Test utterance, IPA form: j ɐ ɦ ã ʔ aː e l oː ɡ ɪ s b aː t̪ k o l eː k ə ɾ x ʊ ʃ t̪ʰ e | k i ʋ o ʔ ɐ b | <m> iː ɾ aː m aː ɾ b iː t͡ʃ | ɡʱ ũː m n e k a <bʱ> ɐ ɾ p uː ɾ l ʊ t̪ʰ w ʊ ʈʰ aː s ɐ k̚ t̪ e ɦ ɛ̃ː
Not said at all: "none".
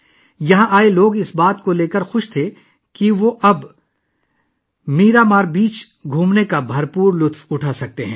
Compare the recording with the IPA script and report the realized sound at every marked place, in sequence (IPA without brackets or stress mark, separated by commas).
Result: m, bʱ